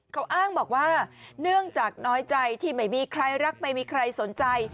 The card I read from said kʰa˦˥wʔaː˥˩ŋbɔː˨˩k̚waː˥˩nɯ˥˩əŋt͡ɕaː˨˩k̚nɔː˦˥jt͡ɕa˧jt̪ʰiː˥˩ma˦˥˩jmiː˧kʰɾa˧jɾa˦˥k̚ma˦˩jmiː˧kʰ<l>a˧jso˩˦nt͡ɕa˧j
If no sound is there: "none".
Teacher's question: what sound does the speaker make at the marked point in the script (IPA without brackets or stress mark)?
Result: ɾ